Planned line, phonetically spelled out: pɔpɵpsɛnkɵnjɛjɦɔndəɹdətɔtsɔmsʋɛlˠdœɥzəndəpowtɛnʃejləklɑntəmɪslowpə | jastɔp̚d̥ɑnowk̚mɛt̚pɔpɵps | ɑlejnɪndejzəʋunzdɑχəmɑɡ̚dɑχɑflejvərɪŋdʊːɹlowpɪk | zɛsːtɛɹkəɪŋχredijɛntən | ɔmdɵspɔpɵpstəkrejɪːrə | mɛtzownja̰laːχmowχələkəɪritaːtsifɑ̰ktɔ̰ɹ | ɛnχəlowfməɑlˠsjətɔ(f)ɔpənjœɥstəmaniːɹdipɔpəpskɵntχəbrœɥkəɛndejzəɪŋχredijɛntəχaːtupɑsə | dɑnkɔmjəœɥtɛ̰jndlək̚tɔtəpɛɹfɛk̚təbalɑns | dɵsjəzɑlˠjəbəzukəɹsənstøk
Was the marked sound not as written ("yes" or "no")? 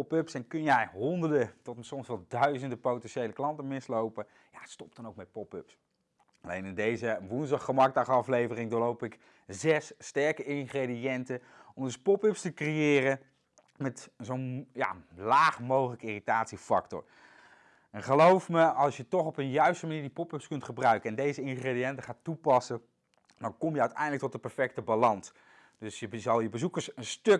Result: yes